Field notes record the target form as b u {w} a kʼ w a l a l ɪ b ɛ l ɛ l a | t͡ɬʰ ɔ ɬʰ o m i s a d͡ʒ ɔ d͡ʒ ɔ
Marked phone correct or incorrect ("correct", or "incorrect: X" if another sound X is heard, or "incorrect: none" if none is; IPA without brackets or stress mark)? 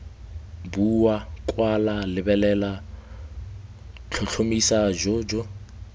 correct